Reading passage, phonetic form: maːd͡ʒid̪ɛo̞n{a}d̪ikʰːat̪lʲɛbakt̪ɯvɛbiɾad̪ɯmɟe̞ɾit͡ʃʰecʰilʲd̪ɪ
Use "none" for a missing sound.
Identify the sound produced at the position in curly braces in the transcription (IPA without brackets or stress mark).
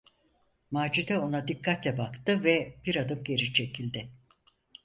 a